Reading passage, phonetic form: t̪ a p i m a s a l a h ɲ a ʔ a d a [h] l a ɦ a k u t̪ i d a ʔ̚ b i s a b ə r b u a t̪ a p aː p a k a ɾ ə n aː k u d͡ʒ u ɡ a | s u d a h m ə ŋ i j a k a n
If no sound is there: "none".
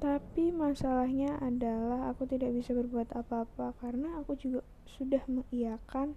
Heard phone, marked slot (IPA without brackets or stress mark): none